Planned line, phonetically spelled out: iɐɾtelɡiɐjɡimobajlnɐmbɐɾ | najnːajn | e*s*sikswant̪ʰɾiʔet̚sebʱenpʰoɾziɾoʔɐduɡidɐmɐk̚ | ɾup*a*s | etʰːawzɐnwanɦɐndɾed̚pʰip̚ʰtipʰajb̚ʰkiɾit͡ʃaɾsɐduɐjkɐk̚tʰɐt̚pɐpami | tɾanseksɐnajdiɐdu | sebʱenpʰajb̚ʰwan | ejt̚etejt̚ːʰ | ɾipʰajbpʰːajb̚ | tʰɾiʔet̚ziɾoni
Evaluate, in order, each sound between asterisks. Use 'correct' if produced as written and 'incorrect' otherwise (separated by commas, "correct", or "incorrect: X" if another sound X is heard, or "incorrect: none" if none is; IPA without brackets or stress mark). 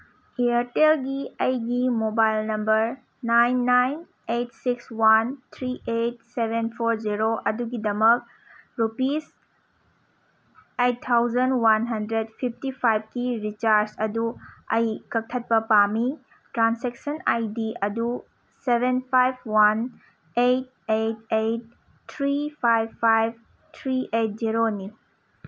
incorrect: t, incorrect: i